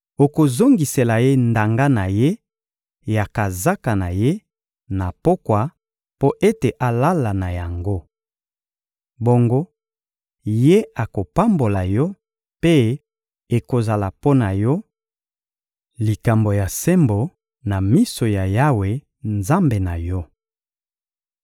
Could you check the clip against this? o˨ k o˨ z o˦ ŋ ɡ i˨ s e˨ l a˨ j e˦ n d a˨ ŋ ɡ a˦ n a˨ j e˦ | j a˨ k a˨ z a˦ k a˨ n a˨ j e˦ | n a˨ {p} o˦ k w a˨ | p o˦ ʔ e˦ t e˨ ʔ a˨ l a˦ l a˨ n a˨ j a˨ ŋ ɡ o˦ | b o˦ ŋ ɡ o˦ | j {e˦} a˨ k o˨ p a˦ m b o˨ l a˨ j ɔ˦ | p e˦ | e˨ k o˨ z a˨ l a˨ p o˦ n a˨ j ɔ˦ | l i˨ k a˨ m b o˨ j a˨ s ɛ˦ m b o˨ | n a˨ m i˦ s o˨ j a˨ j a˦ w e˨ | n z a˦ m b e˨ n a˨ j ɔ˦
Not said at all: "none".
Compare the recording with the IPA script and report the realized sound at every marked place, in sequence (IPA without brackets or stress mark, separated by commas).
p, e˦